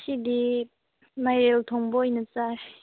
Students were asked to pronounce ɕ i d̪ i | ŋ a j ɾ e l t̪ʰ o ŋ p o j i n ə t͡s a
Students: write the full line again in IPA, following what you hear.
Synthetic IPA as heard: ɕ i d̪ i | m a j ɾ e l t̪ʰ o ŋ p o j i n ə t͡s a